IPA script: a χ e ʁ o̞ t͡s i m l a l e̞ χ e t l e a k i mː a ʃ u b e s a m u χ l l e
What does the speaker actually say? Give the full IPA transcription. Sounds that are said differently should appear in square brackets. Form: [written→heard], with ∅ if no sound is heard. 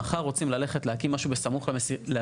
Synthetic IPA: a χ [e→a] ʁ o̞ t͡s i m l a l e̞ χ e t l e a k i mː a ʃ u b e s a m u χ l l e